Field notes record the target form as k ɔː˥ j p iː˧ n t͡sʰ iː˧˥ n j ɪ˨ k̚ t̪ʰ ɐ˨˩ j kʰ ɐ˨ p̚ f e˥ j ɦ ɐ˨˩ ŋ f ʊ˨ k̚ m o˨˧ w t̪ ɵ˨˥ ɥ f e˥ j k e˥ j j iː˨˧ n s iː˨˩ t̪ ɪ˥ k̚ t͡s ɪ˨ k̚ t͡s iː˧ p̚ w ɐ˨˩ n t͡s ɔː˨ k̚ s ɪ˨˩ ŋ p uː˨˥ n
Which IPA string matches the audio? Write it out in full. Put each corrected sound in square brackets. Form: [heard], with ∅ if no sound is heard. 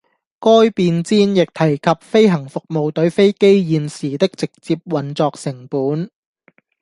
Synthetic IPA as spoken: k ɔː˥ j p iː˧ n [t͡s] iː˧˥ n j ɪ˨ k̚ t̪ʰ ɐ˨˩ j kʰ ɐ˨ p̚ f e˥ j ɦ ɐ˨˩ ŋ f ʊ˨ k̚ m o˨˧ w t̪ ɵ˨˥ ɥ f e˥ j k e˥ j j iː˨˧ n s iː˨˩ t̪ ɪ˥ k̚ t͡s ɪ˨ k̚ t͡s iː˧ p̚ w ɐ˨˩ n t͡s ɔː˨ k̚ s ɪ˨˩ ŋ p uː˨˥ n